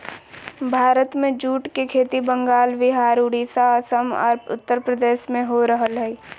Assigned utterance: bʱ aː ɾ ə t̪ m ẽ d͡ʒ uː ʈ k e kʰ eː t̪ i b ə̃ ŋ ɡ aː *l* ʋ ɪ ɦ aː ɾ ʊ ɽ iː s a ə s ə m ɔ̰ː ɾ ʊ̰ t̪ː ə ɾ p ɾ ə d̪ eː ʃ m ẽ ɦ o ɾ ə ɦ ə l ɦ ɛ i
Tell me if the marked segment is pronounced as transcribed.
yes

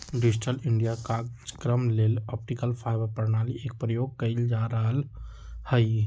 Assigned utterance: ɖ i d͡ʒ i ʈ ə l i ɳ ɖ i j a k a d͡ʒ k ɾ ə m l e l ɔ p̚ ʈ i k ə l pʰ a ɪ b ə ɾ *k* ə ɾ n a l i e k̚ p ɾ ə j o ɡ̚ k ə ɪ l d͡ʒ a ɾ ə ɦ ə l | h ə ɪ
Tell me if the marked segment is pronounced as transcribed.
no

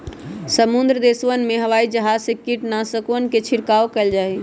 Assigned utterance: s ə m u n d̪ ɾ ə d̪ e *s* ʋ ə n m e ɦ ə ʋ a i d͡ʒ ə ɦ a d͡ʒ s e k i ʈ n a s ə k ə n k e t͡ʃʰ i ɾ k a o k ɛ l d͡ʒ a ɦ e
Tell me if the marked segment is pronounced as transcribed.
yes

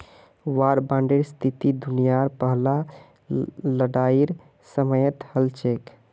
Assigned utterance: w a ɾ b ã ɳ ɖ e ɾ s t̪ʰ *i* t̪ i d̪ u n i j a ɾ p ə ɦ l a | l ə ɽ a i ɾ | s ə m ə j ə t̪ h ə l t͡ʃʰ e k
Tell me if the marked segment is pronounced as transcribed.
yes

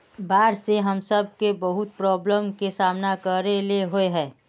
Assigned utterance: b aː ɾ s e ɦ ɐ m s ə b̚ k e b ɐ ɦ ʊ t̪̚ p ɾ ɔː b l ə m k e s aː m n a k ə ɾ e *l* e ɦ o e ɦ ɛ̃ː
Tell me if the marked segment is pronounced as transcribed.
yes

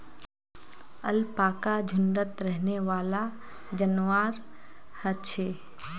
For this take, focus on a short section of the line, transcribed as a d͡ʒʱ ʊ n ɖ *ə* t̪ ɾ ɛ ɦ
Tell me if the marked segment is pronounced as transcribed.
yes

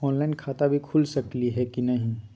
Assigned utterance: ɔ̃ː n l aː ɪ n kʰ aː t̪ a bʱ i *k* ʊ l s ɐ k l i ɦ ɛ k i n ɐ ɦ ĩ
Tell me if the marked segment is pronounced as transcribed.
no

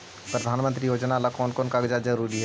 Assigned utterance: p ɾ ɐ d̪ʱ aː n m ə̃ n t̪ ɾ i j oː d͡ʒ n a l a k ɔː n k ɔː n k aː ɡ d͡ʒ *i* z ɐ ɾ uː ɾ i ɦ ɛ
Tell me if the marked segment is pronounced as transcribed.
no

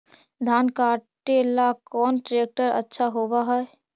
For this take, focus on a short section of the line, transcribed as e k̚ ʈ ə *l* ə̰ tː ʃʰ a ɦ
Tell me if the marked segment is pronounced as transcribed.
no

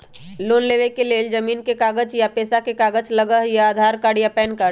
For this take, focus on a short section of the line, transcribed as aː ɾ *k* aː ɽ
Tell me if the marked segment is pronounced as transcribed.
yes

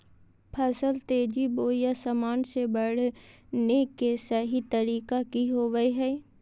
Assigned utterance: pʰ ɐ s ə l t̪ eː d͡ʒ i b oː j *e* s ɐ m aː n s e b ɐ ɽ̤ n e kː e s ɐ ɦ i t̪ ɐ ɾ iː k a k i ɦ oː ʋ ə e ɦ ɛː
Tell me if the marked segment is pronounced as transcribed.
no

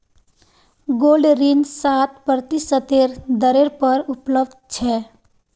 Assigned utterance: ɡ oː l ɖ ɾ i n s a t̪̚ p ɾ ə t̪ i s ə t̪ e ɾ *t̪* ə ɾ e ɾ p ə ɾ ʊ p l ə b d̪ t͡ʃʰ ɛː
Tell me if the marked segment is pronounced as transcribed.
no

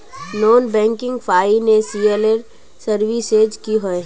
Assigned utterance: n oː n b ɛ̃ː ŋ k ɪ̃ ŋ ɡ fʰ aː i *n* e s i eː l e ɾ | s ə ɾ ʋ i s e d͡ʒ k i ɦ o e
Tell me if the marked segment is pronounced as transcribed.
yes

